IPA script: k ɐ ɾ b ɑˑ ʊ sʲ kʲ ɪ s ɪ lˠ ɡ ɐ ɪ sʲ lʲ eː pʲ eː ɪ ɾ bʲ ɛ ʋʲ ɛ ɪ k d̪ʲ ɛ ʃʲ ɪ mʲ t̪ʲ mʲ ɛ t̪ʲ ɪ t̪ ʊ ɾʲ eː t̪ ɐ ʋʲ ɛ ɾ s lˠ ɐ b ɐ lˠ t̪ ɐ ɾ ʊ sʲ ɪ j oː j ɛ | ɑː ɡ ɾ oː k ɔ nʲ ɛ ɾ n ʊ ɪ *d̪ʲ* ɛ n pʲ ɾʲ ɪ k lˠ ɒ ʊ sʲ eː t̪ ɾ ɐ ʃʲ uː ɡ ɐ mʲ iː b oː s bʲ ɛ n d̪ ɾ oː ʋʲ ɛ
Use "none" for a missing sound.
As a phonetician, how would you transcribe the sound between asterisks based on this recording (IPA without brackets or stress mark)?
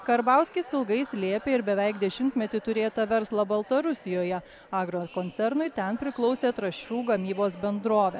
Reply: t̪ʲ